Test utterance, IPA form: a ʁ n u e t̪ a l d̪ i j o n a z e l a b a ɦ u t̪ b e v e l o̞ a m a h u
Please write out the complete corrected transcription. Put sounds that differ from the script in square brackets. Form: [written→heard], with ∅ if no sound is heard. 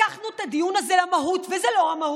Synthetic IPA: a [ʁ→χ] n u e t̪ a [l→∅] d̪ i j [o→u] n a z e l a [b→m] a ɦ u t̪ [b→v] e [v→z] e l o̞ a m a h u